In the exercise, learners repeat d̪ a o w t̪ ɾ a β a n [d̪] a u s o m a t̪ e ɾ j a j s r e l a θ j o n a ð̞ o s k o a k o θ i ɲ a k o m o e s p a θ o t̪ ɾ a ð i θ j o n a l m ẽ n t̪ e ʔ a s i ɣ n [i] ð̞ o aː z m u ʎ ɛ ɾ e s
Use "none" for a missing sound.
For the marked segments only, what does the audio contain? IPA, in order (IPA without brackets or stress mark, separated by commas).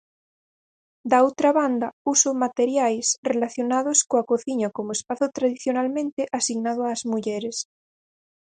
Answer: d̪, a